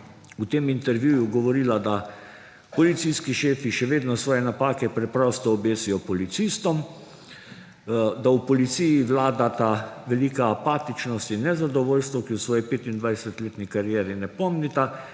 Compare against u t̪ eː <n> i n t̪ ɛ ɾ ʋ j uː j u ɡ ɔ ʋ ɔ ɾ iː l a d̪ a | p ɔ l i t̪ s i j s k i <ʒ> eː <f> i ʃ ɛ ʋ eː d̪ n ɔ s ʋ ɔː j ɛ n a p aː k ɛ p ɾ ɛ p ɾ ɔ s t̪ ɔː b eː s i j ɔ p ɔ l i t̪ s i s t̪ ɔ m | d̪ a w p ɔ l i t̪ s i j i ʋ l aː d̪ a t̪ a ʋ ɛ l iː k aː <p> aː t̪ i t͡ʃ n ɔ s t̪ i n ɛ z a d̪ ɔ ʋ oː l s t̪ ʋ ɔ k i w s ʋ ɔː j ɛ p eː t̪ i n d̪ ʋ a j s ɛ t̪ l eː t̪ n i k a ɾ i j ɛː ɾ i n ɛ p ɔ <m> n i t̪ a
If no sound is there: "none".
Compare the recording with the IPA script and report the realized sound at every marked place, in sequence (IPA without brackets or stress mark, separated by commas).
m, ʃ, f, p, m